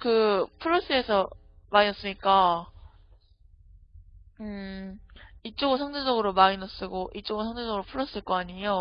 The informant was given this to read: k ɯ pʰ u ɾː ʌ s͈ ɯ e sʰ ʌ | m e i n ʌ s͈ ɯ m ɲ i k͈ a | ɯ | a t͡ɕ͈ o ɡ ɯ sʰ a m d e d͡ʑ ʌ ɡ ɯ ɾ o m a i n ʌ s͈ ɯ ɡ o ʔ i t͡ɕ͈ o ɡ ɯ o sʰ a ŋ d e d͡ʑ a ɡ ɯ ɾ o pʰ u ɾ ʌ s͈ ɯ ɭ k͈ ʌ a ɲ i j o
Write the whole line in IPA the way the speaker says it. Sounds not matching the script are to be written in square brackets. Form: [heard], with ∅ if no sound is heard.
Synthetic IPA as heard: k ɯ pʰ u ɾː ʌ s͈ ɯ e sʰ ʌ | m [a] i n ʌ s͈ ɯ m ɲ i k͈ a | ɯ | [i] t͡ɕ͈ o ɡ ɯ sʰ a [ŋ] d e d͡ʑ ʌ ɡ ɯ ɾ o m a i n ʌ s͈ ɯ ɡ o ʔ i t͡ɕ͈ o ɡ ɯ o sʰ a ŋ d e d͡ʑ [ʌ] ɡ ɯ ɾ o pʰ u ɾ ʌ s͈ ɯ ɭ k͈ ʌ a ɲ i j o